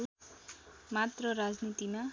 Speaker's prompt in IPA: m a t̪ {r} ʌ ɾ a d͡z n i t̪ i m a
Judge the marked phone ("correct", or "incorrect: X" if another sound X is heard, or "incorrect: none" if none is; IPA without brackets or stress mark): correct